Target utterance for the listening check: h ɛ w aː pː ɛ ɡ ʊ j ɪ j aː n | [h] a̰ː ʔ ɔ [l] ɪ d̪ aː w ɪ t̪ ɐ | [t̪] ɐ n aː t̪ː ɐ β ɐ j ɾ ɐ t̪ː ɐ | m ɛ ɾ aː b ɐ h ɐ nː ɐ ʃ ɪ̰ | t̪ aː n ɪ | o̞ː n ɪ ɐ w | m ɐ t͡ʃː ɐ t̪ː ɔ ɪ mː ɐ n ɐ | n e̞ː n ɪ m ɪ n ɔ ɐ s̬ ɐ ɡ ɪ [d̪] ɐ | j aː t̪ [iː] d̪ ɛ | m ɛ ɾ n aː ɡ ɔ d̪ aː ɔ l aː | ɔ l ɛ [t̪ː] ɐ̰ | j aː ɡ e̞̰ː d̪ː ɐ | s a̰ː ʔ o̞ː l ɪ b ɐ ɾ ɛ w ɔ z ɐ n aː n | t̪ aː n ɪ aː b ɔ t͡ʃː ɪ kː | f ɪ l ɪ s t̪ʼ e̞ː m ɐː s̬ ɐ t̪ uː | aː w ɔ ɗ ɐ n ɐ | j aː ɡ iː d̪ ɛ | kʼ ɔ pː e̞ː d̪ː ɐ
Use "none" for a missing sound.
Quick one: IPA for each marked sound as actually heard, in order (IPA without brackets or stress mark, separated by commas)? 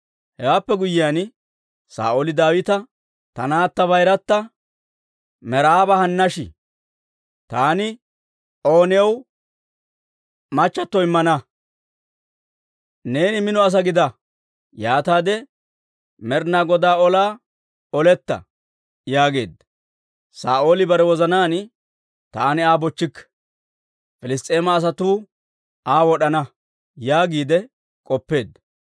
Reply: s, l, t̪, d̪, aː, t̪ː